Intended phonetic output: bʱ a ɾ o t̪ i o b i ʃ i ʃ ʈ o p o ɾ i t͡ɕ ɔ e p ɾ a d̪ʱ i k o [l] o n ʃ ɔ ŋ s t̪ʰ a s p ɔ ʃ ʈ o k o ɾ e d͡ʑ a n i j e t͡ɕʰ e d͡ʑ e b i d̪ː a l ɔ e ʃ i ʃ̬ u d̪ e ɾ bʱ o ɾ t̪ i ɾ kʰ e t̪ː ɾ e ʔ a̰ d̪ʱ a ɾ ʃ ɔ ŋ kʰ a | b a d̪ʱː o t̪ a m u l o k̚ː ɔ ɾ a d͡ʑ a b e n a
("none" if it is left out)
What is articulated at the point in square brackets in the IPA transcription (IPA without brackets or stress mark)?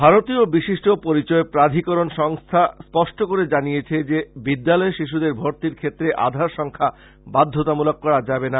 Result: ɾ